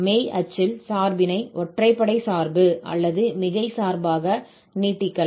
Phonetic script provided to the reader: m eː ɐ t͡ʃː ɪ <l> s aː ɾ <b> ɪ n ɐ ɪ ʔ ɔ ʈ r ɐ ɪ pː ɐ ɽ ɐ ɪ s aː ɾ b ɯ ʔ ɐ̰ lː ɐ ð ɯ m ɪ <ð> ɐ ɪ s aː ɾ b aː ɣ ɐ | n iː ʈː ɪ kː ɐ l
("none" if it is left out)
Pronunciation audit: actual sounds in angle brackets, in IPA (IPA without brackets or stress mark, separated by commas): l, b, ɣ